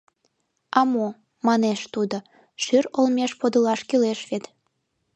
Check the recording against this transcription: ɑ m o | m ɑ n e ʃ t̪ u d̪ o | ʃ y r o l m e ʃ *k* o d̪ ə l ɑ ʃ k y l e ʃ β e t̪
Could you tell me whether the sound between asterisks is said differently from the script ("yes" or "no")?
yes